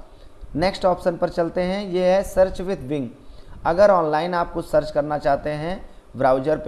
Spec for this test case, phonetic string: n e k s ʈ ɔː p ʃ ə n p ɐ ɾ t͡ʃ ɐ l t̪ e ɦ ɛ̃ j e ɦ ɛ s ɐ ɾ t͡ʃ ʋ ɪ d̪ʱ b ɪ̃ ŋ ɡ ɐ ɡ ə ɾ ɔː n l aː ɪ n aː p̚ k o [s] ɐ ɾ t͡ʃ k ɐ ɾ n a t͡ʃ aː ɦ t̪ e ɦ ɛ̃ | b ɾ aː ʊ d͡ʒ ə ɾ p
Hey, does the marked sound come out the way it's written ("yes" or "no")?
yes